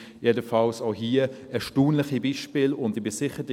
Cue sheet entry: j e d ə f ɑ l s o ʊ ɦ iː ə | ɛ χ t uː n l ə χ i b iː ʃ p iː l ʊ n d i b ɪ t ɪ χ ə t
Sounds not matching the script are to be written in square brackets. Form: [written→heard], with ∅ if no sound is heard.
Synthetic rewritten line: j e d ə f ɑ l s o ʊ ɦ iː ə | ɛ [χ→ʃ] t uː n l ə χ i b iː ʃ p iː l ʊ n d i b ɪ [t→s] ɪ χ ə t